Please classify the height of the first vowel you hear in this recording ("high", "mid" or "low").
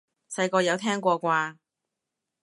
low